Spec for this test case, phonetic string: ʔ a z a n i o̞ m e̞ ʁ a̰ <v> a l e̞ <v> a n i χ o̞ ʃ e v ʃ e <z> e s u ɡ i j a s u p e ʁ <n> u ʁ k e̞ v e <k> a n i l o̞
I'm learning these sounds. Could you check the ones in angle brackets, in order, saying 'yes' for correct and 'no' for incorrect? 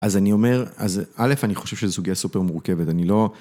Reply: no, no, yes, no, no

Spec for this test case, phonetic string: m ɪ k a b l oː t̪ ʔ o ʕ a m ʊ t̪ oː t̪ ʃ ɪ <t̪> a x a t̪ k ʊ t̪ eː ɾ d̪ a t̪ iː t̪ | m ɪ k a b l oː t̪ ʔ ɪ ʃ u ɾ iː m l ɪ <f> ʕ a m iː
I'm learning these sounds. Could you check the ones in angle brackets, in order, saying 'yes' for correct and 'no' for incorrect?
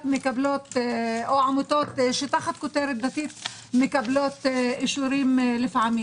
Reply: yes, yes

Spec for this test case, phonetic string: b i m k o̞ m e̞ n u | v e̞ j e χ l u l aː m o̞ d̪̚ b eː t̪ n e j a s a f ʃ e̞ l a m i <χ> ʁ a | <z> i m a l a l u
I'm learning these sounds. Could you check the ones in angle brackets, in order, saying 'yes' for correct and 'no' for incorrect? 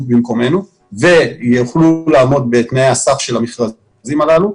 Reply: yes, yes

